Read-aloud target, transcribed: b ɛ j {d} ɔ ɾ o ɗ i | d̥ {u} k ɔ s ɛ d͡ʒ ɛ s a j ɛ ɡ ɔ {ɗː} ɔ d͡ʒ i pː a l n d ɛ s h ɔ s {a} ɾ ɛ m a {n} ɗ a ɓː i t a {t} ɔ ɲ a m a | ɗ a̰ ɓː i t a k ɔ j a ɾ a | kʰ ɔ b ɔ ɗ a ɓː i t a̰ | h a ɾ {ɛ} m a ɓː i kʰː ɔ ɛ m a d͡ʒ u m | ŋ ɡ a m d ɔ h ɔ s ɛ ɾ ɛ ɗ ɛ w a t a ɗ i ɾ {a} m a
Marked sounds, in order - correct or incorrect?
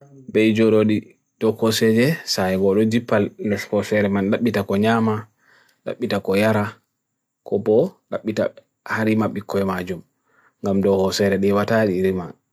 incorrect, incorrect, incorrect, incorrect, correct, incorrect, incorrect, incorrect

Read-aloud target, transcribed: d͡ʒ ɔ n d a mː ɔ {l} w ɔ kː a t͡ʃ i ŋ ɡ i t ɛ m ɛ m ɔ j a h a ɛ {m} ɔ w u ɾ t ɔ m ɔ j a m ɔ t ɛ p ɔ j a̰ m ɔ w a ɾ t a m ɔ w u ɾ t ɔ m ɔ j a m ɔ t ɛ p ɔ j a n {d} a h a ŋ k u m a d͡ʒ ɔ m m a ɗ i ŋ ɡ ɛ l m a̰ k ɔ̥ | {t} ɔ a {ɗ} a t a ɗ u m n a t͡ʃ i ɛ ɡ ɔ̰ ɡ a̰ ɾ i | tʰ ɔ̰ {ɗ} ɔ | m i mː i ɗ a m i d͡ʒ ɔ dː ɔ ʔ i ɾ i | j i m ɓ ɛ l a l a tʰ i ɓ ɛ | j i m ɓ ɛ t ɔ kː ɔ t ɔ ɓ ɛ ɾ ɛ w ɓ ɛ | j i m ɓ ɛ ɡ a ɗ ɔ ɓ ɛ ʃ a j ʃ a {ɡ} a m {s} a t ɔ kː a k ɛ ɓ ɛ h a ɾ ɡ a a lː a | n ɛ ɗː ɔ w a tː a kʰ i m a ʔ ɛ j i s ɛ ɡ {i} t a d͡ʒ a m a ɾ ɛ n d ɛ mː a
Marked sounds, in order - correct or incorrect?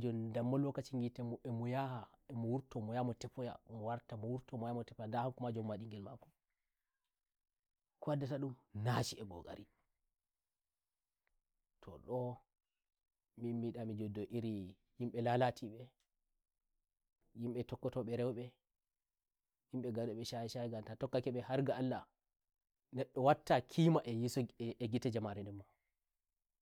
correct, correct, correct, incorrect, incorrect, correct, correct, incorrect, correct

